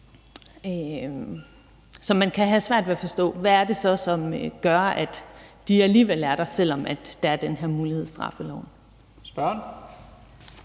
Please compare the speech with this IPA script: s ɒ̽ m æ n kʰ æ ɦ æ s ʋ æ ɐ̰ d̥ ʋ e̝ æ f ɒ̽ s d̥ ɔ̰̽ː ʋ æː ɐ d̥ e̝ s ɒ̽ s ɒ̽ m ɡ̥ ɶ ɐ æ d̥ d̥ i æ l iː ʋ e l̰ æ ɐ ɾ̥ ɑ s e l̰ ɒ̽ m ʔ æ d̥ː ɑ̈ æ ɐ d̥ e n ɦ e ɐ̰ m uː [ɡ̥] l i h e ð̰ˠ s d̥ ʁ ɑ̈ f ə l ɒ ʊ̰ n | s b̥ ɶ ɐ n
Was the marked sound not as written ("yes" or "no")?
yes